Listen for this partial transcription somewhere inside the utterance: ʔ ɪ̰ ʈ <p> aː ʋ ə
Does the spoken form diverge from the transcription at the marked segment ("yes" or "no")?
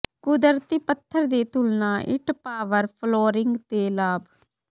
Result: no